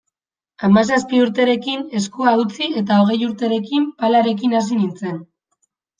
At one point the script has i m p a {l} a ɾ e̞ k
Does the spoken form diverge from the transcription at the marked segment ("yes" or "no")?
no